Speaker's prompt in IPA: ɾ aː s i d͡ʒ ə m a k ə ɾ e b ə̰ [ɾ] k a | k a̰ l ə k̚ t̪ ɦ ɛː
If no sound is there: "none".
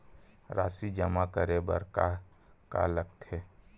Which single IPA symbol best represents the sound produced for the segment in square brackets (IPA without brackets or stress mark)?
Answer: ɾ